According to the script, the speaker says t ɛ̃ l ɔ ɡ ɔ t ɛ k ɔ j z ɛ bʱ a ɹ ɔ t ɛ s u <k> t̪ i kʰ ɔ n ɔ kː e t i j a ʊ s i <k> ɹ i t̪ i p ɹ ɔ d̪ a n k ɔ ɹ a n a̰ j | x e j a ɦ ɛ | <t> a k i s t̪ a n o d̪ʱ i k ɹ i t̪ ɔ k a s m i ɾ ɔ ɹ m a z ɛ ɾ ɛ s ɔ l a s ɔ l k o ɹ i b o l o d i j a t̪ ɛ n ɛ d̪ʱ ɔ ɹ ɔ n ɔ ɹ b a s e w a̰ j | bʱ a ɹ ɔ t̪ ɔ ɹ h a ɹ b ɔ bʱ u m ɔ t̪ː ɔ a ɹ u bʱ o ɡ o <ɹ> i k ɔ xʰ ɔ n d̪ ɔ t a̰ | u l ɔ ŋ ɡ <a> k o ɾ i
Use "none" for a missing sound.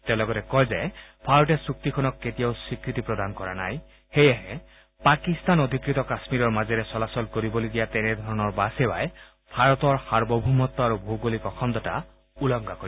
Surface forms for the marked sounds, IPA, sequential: k, k, p, l, a

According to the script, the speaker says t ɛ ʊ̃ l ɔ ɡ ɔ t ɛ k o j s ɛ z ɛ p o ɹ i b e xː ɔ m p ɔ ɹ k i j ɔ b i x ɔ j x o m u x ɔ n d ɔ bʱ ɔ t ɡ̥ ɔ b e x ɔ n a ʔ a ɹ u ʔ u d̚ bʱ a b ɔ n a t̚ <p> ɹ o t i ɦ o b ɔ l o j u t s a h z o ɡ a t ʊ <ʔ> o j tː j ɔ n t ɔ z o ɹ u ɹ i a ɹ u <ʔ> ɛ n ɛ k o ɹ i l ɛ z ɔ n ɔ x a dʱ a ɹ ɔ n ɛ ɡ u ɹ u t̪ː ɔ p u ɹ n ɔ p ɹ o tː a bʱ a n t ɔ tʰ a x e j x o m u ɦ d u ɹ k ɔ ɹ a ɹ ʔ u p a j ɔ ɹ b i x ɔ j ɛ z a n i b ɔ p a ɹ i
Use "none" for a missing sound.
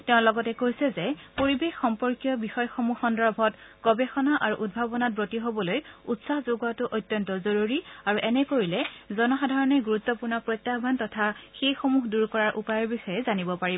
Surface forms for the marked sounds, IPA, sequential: b, ʔ, ʔ

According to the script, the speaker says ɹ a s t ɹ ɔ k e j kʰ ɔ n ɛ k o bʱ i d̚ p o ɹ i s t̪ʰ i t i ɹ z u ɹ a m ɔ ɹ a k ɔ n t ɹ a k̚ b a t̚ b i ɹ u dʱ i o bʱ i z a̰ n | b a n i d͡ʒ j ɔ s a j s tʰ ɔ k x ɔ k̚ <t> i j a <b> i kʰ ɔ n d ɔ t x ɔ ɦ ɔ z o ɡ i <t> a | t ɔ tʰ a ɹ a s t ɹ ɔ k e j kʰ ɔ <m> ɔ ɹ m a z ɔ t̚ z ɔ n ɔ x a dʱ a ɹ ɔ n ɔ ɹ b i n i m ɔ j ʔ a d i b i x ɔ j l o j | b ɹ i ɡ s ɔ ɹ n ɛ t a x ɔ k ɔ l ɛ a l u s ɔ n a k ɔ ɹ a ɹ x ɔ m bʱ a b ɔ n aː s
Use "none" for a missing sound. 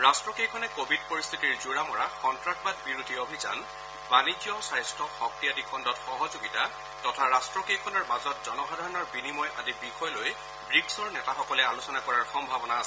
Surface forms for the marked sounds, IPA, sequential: t, d, t, n

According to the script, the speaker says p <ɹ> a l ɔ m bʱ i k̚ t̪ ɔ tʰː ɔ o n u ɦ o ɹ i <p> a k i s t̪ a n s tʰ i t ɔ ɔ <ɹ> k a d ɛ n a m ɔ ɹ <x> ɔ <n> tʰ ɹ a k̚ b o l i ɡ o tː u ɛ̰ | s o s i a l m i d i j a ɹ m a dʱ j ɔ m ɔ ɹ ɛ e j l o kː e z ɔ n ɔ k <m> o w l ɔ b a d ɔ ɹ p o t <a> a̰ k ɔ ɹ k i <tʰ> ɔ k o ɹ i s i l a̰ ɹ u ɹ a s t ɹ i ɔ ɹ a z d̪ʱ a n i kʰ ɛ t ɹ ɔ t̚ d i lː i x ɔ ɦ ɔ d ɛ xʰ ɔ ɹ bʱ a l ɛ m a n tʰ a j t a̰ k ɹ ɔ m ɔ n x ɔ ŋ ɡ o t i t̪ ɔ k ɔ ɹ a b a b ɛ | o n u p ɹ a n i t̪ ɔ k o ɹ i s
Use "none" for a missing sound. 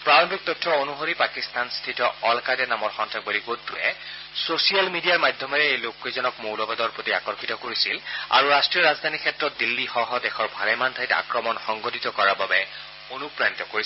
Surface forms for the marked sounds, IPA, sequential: ɹ, p, l, x, n, m, i, t

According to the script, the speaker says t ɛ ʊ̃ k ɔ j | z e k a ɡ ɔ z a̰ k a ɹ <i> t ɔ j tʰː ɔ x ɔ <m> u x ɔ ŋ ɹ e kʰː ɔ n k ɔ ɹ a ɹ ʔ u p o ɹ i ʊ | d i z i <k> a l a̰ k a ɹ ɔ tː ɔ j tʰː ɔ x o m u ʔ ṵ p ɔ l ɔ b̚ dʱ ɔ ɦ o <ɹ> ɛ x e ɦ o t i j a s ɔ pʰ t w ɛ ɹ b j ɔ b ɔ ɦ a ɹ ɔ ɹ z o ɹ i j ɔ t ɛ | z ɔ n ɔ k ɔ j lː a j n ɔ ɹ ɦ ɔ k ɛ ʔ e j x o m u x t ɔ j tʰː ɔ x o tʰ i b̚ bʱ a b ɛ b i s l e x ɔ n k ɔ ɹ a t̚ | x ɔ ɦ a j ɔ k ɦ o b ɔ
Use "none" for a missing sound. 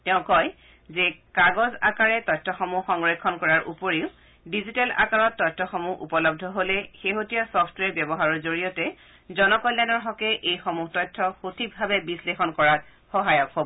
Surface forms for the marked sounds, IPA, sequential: ɛ, m, t, l

